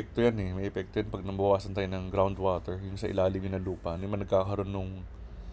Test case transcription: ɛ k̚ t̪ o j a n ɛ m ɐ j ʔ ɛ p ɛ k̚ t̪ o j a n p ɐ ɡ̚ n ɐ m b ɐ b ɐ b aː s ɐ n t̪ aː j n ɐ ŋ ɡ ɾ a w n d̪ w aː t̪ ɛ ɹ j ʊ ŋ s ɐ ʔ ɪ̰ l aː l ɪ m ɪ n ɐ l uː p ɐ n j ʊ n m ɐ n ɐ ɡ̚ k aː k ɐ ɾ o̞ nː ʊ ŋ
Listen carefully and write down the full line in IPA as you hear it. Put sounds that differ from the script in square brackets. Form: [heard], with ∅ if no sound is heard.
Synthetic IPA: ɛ k̚ t̪ o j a n ɛ m ɐ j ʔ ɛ p ɛ k̚ t̪ o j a n p ɐ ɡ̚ n ɐ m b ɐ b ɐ [w] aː s ɐ n t̪ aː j n ɐ ŋ ɡ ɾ a w n d̪ w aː t̪ ɛ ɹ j ʊ ŋ s ɐ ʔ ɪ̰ l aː l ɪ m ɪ n ɐ l uː p ɐ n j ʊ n m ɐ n ɐ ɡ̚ k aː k ɐ ɾ o̞ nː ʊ ŋ